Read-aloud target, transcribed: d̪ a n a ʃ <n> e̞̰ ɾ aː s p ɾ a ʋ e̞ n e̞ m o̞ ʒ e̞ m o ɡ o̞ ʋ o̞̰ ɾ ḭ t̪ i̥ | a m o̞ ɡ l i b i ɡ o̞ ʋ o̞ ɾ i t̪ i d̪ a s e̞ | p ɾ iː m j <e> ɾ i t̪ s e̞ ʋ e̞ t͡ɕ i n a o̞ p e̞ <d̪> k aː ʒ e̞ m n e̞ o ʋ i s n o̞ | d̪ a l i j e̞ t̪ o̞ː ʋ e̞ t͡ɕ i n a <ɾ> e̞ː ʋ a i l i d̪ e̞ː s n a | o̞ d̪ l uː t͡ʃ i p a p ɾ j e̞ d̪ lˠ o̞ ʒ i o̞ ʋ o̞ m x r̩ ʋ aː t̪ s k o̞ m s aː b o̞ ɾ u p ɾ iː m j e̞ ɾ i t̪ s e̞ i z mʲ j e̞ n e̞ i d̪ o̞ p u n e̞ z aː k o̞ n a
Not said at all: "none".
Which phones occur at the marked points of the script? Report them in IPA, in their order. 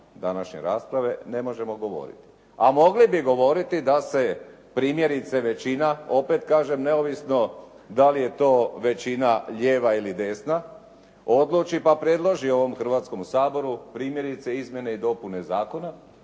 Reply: ɲ, e, t̪, ʎ

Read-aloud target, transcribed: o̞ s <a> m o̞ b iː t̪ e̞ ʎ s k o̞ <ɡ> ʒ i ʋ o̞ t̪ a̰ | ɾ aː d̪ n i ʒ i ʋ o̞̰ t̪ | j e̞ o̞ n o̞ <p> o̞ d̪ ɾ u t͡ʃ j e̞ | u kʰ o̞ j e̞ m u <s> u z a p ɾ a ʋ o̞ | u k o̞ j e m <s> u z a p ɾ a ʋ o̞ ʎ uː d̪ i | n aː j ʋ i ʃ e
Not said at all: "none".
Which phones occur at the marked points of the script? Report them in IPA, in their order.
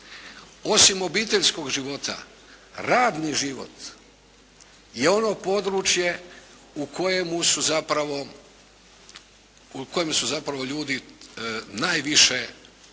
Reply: i, ɡ, p, s, s

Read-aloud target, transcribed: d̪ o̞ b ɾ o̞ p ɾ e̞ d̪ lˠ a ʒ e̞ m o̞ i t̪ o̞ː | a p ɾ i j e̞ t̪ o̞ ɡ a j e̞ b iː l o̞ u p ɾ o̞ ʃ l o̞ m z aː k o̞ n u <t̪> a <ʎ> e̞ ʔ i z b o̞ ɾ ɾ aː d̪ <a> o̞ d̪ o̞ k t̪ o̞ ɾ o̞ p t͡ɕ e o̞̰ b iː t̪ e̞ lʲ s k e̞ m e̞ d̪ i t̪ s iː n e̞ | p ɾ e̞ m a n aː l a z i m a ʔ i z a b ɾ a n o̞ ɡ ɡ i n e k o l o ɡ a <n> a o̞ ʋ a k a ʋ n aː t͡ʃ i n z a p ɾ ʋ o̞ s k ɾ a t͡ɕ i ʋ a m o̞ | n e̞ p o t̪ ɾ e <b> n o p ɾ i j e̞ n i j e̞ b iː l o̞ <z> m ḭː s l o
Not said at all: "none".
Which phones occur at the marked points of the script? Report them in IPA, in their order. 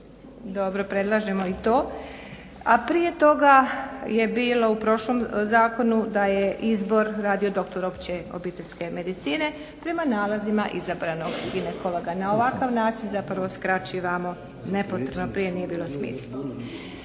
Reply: d̪, j, i, n, b, s

